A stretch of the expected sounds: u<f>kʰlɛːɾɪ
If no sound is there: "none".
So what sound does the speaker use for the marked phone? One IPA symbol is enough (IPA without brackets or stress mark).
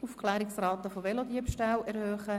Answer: f